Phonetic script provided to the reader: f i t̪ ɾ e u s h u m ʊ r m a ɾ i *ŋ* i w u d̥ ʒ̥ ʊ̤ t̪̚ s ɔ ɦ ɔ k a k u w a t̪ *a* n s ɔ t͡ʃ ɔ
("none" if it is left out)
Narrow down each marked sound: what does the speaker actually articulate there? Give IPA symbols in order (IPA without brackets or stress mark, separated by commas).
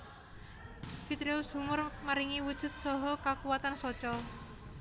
ŋ, a